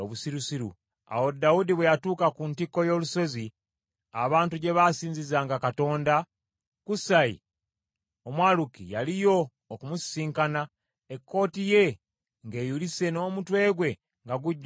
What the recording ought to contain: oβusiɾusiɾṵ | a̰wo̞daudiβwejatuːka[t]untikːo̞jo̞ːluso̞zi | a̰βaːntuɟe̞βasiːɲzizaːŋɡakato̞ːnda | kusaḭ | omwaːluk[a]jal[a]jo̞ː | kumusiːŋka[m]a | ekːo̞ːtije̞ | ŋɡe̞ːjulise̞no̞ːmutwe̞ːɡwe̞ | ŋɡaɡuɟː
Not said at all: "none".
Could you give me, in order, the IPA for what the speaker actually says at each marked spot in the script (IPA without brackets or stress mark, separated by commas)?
k, i, i, n